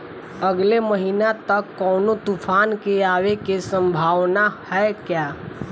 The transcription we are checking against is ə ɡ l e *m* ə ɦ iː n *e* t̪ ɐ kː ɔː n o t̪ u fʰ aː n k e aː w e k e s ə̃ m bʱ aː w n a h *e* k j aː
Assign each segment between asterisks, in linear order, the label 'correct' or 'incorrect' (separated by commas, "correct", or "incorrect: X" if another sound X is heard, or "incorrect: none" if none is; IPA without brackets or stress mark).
correct, incorrect: a, incorrect: ɛ